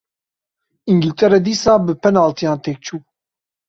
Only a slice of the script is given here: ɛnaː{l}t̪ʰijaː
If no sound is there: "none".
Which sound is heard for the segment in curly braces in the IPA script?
l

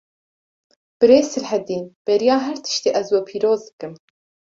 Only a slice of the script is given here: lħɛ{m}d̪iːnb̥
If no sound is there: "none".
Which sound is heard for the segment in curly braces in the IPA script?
none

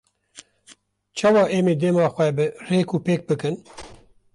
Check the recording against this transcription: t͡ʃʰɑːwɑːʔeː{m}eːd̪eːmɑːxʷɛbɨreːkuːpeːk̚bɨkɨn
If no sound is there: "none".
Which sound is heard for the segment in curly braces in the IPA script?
m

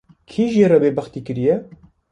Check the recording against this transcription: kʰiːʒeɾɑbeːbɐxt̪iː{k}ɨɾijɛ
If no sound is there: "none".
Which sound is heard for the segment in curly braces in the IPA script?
k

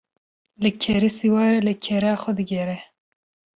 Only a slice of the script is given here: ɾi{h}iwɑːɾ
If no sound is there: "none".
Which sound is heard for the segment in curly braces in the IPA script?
s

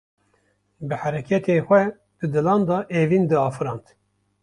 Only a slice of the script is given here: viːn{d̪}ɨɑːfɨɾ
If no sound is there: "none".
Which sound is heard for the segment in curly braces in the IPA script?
d̪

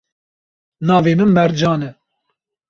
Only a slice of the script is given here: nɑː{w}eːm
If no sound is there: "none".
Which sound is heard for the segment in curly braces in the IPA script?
v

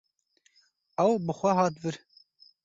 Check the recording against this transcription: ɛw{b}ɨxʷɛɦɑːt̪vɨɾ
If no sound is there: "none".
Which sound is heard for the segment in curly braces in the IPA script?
b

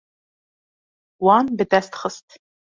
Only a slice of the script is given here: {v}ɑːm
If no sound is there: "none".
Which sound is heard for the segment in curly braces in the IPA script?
w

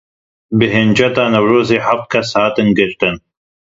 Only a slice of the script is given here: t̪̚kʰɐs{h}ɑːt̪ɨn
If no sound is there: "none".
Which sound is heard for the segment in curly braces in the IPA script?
h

